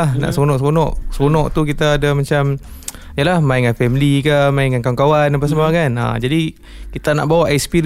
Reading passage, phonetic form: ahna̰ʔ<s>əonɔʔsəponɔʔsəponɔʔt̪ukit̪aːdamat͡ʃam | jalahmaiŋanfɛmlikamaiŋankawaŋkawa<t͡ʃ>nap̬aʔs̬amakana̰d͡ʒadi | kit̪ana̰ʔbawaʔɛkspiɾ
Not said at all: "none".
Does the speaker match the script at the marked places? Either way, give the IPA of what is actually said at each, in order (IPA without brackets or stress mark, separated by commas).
s, none